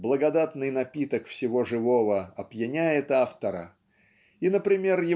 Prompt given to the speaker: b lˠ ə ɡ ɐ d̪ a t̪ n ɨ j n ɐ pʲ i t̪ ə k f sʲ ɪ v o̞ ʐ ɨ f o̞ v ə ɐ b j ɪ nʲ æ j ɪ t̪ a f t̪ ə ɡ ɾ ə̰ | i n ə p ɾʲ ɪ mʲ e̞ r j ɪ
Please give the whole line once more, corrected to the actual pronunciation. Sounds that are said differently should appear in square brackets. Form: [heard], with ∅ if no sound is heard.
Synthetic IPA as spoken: b lˠ ə ɡ ɐ d̪ a t̪ n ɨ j n ɐ pʲ i t̪ ə k f sʲ ɪ v o̞ ʐ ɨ [v] o̞ v ə ɐ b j ɪ nʲ æ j ɪ t̪ a f t̪ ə [∅] ɾ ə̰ | i n ə p ɾʲ ɪ mʲ e̞ r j ɪ